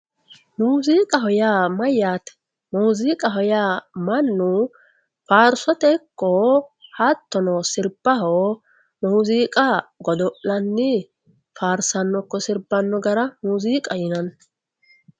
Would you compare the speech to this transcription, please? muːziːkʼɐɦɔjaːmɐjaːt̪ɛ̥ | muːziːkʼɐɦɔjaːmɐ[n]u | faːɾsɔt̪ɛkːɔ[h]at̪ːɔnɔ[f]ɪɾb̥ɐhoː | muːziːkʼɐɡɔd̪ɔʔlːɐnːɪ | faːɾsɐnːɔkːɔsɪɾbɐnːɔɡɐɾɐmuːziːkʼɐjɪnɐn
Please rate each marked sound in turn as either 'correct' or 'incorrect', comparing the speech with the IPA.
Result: incorrect, correct, incorrect

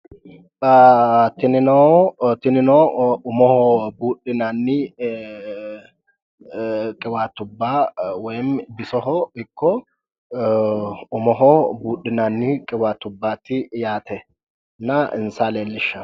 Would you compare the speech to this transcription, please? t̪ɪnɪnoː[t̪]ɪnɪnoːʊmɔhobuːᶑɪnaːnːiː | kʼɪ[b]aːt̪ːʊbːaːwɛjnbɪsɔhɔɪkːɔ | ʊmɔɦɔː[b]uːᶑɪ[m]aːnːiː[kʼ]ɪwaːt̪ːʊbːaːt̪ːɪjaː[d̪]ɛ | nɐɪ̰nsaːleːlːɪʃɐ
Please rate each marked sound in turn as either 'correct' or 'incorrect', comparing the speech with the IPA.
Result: correct, incorrect, correct, incorrect, correct, incorrect

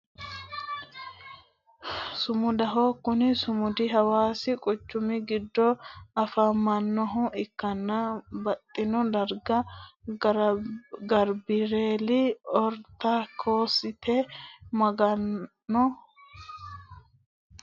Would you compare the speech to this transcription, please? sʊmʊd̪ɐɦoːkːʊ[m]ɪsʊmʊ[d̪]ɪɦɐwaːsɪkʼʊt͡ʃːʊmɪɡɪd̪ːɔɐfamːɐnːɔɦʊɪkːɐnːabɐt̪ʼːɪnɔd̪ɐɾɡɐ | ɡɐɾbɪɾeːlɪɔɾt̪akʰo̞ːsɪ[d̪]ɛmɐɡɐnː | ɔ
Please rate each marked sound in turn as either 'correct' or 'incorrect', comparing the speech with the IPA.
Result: incorrect, correct, incorrect

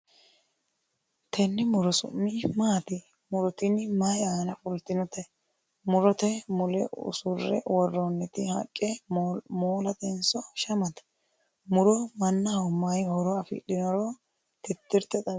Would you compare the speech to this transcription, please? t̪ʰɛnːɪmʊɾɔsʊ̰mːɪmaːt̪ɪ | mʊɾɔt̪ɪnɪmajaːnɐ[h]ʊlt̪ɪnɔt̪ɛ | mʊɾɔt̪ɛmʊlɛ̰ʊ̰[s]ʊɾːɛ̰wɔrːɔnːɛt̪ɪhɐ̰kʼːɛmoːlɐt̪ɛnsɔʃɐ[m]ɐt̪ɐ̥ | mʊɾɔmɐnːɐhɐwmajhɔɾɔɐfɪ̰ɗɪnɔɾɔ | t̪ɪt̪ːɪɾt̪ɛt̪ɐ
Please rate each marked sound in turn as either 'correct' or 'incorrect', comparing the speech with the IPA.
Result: incorrect, correct, correct

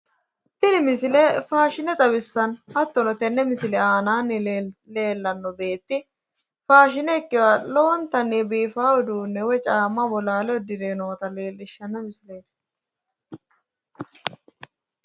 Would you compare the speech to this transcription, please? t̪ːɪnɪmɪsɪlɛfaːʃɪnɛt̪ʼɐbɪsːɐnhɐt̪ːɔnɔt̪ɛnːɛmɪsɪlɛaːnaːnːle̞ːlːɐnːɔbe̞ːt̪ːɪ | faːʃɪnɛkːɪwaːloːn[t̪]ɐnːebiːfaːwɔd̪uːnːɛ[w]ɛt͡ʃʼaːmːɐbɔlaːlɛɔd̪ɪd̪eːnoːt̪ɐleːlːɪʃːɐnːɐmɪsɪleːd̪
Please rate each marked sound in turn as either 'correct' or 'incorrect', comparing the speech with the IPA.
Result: correct, correct

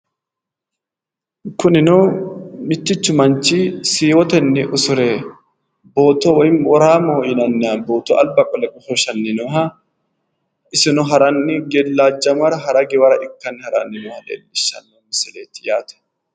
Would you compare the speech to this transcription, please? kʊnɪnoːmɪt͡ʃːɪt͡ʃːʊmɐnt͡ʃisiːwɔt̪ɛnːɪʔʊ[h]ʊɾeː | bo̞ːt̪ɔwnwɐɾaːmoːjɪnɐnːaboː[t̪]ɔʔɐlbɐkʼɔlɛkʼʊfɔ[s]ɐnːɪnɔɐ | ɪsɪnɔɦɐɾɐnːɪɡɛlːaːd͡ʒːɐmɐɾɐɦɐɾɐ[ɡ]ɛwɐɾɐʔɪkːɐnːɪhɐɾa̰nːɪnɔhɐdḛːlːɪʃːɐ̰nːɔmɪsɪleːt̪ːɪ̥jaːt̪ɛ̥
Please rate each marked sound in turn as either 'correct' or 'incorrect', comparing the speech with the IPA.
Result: incorrect, correct, incorrect, correct

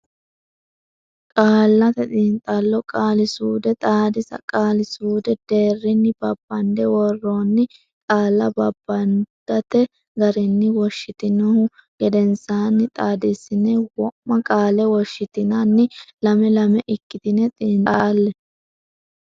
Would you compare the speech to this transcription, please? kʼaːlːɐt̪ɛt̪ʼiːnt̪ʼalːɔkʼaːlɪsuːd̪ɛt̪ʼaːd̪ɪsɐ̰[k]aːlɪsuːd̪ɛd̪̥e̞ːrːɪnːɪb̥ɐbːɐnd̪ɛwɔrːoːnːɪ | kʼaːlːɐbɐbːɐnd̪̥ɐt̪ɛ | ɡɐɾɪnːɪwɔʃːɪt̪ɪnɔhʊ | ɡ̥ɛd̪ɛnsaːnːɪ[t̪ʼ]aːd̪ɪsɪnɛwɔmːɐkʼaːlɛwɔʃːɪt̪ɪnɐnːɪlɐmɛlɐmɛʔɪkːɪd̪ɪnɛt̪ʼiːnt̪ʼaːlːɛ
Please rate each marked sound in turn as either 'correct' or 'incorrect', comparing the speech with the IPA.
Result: incorrect, correct

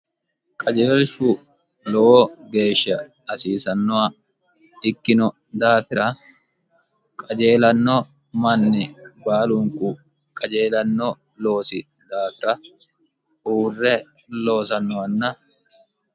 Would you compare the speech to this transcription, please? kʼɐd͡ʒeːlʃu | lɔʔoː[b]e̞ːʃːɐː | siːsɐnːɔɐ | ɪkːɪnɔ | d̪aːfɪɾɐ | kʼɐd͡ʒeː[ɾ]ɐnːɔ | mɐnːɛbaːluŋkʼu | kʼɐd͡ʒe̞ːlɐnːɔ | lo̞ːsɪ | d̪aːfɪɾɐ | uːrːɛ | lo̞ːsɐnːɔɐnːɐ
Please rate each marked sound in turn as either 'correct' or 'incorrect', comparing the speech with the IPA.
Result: incorrect, incorrect

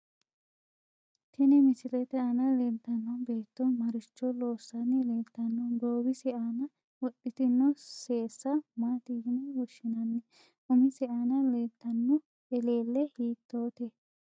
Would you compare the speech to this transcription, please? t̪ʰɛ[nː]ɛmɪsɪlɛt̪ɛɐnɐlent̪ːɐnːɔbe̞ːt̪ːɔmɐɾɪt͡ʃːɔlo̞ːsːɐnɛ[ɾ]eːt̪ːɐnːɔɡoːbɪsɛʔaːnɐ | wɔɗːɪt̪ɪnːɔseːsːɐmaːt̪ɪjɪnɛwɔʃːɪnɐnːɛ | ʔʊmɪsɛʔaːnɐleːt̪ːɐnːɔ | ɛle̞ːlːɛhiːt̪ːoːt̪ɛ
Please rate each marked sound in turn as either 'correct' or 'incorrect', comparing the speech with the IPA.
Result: incorrect, incorrect

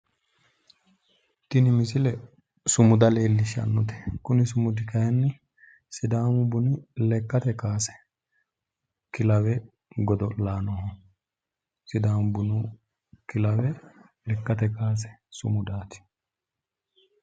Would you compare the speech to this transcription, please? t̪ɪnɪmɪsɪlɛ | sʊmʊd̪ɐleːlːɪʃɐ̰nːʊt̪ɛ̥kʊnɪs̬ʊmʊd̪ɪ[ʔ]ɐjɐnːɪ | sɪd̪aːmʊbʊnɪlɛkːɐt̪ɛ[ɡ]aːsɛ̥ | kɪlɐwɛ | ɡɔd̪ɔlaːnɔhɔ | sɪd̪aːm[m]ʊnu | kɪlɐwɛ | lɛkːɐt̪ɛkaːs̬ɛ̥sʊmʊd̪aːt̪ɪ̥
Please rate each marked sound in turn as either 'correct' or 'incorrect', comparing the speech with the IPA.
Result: incorrect, incorrect, incorrect

